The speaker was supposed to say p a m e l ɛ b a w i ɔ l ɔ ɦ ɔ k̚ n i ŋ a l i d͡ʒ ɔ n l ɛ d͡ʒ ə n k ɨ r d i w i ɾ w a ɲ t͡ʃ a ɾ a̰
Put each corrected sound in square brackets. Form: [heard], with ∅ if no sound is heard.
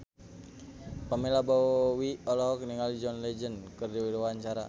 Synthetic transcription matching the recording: p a m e l [a] b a w i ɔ l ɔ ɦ ɔ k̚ n i ŋ a l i d͡ʒ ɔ n l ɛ d͡ʒ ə n k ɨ r d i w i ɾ w a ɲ t͡ʃ a ɾ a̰